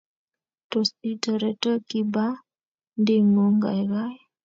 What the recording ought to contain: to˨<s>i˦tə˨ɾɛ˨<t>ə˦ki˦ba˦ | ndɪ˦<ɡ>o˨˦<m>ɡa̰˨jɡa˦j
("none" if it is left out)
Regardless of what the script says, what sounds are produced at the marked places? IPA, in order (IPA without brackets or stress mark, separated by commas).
s, t, ŋ, ŋ